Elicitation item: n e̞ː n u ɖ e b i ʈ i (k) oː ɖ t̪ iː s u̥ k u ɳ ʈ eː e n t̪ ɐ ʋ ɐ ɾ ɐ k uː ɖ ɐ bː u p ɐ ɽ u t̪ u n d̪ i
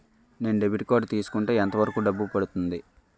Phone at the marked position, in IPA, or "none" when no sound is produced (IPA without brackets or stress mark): k